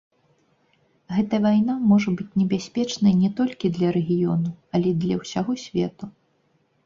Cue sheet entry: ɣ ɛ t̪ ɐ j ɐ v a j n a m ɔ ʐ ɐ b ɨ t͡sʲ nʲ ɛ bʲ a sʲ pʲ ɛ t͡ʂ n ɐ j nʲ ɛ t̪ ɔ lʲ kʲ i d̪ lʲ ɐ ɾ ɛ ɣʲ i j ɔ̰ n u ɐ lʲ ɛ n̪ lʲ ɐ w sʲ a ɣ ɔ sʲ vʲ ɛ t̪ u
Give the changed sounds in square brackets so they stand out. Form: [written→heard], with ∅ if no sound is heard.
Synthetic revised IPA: ɣ ɛ t̪ ɐ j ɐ v a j n a m ɔ ʐ ɐ b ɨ t͡sʲ nʲ ɛ bʲ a sʲ pʲ ɛ t͡ʂ n ɐ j nʲ ɛ t̪ ɔ lʲ kʲ i d̪ lʲ ɐ ɾ ɛ ɣʲ i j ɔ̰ n u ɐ lʲ ɛ [n̪→d̪] lʲ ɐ w sʲ a ɣ ɔ sʲ vʲ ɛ t̪ u

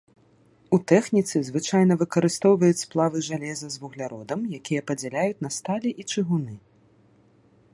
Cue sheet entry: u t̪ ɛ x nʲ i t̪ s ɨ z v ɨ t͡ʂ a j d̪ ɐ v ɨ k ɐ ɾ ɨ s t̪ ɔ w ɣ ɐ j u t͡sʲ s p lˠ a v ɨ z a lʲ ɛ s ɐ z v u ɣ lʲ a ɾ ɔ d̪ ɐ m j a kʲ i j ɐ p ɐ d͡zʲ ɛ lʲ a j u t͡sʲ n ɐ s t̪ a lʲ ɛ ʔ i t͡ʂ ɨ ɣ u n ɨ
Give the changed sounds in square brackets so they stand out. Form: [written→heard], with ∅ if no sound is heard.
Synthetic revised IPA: u t̪ ɛ x nʲ i t̪ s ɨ z v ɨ t͡ʂ a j [d̪→n̪] ɐ v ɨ k ɐ ɾ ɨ s t̪ ɔ w [ɣ→v] ɐ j u t͡sʲ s p lˠ a v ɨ [z→ʐ] a lʲ ɛ [s→z] ɐ z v u ɣ lʲ a ɾ ɔ d̪ ɐ m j a kʲ i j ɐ p ɐ d͡zʲ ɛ lʲ a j u t͡sʲ n ɐ s t̪ a lʲ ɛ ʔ i t͡ʂ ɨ ɣ u n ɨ

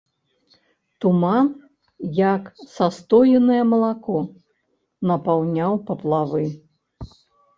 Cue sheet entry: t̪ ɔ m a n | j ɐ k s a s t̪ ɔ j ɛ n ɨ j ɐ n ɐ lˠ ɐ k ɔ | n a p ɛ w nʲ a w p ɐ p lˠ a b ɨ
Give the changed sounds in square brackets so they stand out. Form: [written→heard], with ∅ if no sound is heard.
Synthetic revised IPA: t̪ [ɔ→u] m a n | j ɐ k s a s t̪ ɔ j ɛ n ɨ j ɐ [n→m] ɐ lˠ [ɐ→a] k ɔ | n [a→ɐ] p [ɛ→a] w nʲ a w p ɐ p lˠ a [b→v] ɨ

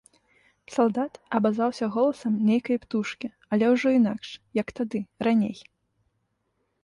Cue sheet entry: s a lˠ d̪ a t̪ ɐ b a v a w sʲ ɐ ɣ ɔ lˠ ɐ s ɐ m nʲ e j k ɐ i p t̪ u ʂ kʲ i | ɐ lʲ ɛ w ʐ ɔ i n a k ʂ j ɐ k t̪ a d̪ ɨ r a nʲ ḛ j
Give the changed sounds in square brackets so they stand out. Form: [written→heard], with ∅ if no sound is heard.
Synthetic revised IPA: s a lˠ d̪ a t̪ ɐ b a [v→z] a w sʲ ɐ ɣ ɔ lˠ ɐ s ɐ m nʲ e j k ɐ [i→j] p t̪ u ʂ kʲ i | ɐ lʲ ɛ w ʐ ɔ i n a k ʂ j ɐ k t̪ a d̪ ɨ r a nʲ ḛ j

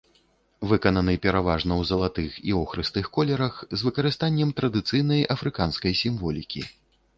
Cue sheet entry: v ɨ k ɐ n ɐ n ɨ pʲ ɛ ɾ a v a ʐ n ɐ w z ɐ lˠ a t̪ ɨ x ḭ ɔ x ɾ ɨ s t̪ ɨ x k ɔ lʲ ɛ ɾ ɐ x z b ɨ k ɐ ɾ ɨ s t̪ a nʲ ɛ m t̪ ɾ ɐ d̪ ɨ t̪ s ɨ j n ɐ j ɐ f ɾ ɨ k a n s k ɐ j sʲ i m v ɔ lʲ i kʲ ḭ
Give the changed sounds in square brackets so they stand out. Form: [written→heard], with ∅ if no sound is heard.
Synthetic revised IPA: v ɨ k ɐ n ɐ n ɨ pʲ ɛ ɾ a v a ʐ n ɐ w z ɐ lˠ a t̪ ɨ x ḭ ɔ x ɾ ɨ s t̪ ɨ x k ɔ lʲ ɛ ɾ ɐ x z [b→v] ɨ k ɐ ɾ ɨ s t̪ a [nʲ→nʲː] ɛ m t̪ ɾ ɐ d̪ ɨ t̪ s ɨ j n ɐ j ɐ f ɾ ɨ k a n s k ɐ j sʲ i m v ɔ lʲ i kʲ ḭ

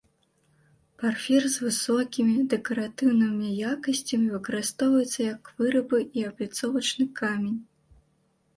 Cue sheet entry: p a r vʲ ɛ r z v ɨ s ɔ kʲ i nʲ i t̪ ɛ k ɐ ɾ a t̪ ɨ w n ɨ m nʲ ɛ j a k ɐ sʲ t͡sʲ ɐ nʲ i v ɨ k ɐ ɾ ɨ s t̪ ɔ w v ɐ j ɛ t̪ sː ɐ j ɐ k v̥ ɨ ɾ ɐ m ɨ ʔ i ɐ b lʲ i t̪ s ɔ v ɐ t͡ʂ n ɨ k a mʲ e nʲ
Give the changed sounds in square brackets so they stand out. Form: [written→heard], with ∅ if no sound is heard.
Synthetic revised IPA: p a r [vʲ→fʲ] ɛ r z v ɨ s ɔ kʲ i [nʲ→mʲ] i [t̪→d̪] ɛ k ɐ ɾ a t̪ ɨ w n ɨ m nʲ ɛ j a k ɐ sʲ t͡sʲ ɐ [nʲ→mʲ] i v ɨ k ɐ ɾ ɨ s t̪ ɔ w v ɐ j ɛ t̪ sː ɐ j ɐ k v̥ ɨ ɾ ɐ [m→b] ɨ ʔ i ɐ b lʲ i t̪ s ɔ v ɐ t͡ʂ n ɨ k a mʲ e nʲ

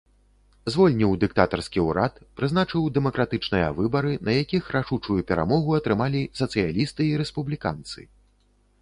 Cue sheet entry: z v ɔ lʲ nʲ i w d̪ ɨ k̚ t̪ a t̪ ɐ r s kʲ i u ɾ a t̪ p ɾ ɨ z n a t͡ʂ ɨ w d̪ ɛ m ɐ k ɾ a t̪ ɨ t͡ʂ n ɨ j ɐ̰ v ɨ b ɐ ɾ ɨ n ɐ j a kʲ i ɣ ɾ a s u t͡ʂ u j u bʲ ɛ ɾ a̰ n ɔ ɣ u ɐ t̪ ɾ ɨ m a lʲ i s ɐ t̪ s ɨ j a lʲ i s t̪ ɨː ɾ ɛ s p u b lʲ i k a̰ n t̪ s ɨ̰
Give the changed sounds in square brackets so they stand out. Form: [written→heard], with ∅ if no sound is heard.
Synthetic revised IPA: z v ɔ lʲ nʲ i w d̪ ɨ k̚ t̪ a t̪ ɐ r s kʲ i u ɾ a t̪ p ɾ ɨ z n a t͡ʂ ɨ w d̪ ɛ m ɐ k ɾ a t̪ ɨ t͡ʂ n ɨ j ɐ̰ v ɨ b ɐ ɾ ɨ n ɐ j a kʲ i [ɣ→x] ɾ a [s→ʂ] u t͡ʂ u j u [bʲ→pʲ] ɛ ɾ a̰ [n→m] ɔ ɣ u ɐ t̪ ɾ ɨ m a lʲ i s ɐ t̪ s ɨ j a lʲ i s t̪ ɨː ɾ ɛ s p u b lʲ i k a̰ n t̪ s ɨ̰

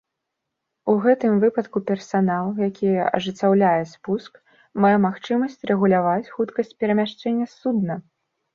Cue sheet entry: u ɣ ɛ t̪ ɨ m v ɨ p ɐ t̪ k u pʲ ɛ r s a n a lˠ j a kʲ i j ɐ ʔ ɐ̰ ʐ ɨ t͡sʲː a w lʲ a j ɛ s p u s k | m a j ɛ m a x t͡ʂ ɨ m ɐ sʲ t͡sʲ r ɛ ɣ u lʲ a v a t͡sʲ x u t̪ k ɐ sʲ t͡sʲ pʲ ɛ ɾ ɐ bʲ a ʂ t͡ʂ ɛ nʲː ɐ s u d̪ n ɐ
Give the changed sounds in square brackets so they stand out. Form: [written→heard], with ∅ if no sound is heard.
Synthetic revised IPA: u ɣ ɛ t̪ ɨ m v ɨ p ɐ t̪ k u pʲ ɛ r s a n a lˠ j a kʲ i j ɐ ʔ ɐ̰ ʐ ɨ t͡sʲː a w lʲ a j ɛ s p u s k | m a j ɛ m a x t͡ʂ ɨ m ɐ sʲ t͡sʲ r ɛ ɣ u lʲ a v a t͡sʲ x u t̪ k ɐ sʲ t͡sʲ pʲ ɛ ɾ ɐ [bʲ→mʲ] a ʂ t͡ʂ ɛ nʲː ɐ s u d̪ n ɐ

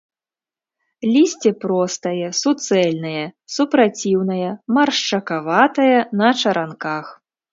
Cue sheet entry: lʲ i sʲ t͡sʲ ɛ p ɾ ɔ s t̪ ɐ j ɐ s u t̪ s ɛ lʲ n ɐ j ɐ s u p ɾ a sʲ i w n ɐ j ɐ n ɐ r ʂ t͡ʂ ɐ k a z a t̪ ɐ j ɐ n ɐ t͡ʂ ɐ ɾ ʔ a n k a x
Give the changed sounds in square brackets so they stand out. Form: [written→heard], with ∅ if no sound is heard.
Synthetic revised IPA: lʲ i sʲ t͡sʲ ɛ p ɾ ɔ s t̪ ɐ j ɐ s u t̪ s ɛ lʲ n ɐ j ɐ s u p ɾ a [sʲ→t͡sʲ] i w n ɐ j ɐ [n→m] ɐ r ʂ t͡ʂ ɐ k a [z→v] a t̪ ɐ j ɐ n ɐ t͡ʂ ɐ ɾ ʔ a n k a x

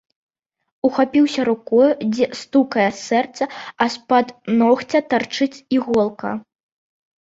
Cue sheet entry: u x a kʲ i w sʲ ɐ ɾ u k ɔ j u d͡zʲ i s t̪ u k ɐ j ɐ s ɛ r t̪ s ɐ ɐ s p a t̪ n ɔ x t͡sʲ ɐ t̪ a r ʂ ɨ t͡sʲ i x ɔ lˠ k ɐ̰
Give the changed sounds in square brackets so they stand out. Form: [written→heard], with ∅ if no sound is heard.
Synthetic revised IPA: u x a [kʲ→pʲ] i w sʲ ɐ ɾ u k ɔ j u d͡zʲ [i→ɛ] s t̪ u k ɐ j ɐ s ɛ r t̪ s ɐ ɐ s p a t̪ n ɔ x t͡sʲ ɐ t̪ a r [ʂ→t͡ʂ] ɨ t͡sʲ i [x→ɣ] ɔ lˠ k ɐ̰

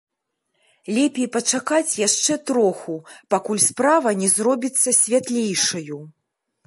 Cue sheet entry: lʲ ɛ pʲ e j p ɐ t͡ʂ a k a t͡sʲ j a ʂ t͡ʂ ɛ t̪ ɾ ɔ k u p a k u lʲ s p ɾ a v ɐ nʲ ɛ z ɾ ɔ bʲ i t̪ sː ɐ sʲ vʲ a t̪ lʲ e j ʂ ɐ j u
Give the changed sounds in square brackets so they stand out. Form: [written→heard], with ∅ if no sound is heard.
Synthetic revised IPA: lʲ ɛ pʲ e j p ɐ t͡ʂ a k a t͡sʲ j a ʂ t͡ʂ ɛ t̪ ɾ ɔ [k→x] u p a k u lʲ s p ɾ a v ɐ nʲ ɛ z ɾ ɔ bʲ i t̪ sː ɐ sʲ vʲ a t̪ lʲ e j ʂ ɐ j u

